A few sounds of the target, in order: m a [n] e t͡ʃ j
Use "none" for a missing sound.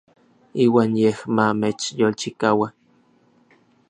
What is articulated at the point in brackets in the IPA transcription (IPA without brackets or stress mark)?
m